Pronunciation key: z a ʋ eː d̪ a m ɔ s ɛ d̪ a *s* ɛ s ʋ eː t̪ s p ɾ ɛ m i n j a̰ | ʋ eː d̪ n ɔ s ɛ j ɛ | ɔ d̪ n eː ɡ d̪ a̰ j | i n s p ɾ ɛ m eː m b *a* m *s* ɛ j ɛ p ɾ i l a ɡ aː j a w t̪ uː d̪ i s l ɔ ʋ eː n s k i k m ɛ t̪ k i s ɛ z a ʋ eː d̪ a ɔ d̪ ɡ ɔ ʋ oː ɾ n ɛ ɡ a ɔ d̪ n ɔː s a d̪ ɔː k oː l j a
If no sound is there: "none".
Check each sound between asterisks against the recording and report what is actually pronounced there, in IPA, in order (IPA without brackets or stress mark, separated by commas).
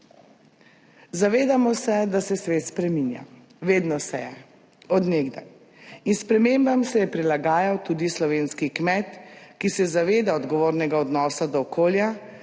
s, a, s